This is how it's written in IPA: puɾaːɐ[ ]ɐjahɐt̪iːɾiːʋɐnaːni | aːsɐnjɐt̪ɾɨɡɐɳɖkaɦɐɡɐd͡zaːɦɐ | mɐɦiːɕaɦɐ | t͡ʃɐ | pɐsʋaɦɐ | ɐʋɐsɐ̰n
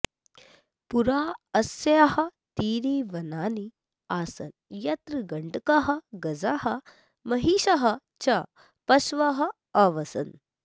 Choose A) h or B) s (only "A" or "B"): B